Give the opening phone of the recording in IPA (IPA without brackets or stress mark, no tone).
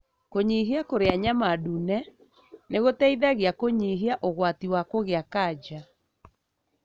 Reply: k